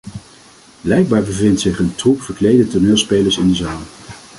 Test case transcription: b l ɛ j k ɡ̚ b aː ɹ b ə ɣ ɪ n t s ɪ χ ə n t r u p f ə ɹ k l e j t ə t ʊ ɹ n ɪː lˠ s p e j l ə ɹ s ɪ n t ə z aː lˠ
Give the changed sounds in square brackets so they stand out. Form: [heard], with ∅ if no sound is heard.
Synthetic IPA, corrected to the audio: b l ɛ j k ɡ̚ b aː ɹ b ə [v] ɪ n t s ɪ χ ə n t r u p f ə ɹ k l e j [d] ə t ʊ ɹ n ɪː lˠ s p e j l ə ɹ s ɪ n [d] ə z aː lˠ

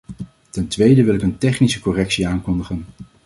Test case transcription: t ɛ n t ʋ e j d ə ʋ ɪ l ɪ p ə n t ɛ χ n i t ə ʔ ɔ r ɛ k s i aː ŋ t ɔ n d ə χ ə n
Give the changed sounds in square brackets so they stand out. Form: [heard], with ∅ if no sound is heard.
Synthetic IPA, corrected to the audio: t ɛ n t ʋ e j d ə ʋ ɪ l ɪ [k] ə n t ɛ χ n i [s] ə [k] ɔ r ɛ k s i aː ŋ [k] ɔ n d ə χ ə n

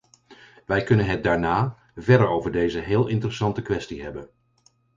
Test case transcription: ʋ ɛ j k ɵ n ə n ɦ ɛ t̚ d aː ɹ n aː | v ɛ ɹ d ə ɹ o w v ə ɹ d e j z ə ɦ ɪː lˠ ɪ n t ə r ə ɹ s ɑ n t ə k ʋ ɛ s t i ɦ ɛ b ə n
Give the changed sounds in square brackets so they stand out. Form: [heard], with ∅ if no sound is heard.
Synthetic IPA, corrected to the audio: ʋ ɛ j k ɵ n ə n ɦ ɛ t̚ d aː ɹ n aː | v ɛ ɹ d ə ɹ o w v ə ɹ d e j z ə ɦ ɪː lˠ ɪ n t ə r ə [∅] s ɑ n t ə k ʋ ɛ s t i ɦ ɛ b ə n

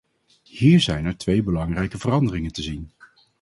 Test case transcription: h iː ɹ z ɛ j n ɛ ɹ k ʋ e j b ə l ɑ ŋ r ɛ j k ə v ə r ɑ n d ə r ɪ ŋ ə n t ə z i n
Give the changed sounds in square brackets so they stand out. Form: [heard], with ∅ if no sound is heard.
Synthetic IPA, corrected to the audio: h iː ɹ z ɛ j n ɛ ɹ [t] ʋ e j b ə l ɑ ŋ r ɛ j k ə v ə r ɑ n d ə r ɪ ŋ ə n t ə z i n

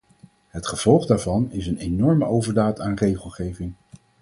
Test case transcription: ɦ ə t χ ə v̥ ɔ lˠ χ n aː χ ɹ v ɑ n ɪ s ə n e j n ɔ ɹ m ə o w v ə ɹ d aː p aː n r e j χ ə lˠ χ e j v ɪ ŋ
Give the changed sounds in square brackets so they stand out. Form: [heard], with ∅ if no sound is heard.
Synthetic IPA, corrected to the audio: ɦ ə t χ ə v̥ ɔ lˠ χ [d] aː [∅] ɹ v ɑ n ɪ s ə n e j n ɔ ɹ m ə o w v ə ɹ d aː [t] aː n r e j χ ə lˠ χ e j v ɪ ŋ

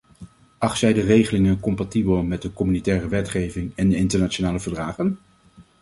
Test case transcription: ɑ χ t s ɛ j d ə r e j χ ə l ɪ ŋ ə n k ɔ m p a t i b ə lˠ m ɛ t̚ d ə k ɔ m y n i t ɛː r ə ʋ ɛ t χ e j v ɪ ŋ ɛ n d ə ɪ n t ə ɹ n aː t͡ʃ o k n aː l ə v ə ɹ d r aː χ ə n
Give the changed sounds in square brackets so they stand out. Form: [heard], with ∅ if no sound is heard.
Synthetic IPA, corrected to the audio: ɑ χ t s ɛ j d ə r e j χ ə l ɪ ŋ ə n k ɔ m p a t i b ə lˠ m ɛ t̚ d ə k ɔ m y n i t ɛː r ə ʋ ɛ t χ e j v ɪ ŋ ɛ n d ə ɪ n t ə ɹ n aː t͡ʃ o [∅] n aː l ə v ə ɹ d r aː χ ə n

